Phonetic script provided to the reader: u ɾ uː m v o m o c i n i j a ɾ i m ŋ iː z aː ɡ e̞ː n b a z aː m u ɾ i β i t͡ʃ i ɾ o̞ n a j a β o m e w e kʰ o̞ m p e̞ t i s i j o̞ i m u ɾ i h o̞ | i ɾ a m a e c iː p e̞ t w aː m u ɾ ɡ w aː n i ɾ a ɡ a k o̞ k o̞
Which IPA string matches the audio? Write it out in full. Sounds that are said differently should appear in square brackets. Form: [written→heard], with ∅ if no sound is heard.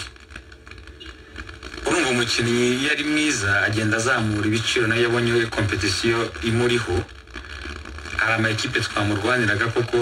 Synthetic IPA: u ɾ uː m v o m [o→u] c i n i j a ɾ i m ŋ iː z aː [ɡ→ɟ] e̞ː n [b→d] a z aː m u ɾ i β i t͡ʃ i ɾ o̞ n a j a β o [m→ɲ] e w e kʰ o̞ m p e̞ t i s i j o̞ i m u ɾ i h o̞ | [i→a] ɾ a m a e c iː p e̞ t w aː m u ɾ ɡ w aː n i ɾ a ɡ a k o̞ k o̞